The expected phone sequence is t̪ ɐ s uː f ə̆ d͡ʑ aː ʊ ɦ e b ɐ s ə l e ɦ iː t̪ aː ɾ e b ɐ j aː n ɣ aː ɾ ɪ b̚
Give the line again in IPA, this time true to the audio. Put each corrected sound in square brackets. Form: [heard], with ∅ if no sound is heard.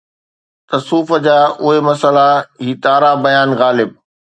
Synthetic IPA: t̪ ɐ s uː f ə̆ d͡ʑ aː ʊ ɦ e [m] ɐ s ə l [a] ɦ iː t̪ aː ɾ [a] b ɐ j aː n ɣ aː [l] ɪ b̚